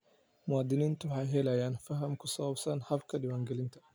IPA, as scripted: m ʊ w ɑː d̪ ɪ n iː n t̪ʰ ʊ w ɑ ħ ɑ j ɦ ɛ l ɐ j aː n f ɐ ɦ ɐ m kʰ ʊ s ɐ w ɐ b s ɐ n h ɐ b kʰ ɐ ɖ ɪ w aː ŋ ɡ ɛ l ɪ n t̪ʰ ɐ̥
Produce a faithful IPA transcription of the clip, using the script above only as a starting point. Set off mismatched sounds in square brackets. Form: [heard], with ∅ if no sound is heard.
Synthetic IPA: m ʊ w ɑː d̪ ɪ n iː n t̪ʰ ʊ w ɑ ħ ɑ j ɦ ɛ l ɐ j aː n f ɐ ɦ ɐ m kʰ ʊ s ɐ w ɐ b s ɐ n h ɐ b kʰ ɐ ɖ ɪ w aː ŋ ɡ ɛ l ɪ n t̪ʰ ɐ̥